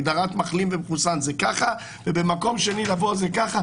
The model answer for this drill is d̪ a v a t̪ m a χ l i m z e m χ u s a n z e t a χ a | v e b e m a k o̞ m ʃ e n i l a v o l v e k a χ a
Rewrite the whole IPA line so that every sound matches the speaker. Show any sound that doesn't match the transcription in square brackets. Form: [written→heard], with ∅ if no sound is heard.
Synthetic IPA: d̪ a [v→ʁ] a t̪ m a χ l i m [z→v] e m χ u s a n z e [t→k] a χ a | v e b e m a k o̞ m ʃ e n i l a v o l [v→z] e k a χ a